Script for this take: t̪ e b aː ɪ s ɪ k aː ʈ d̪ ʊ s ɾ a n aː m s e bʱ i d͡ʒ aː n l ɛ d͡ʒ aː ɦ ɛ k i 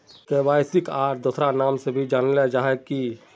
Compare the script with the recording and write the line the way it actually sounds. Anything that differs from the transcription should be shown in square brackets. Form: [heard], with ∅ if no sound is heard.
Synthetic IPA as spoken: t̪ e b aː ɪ s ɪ k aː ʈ d̪ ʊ s ɾ a n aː m s e bʱ i d͡ʒ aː n l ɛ d͡ʒ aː ɦ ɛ k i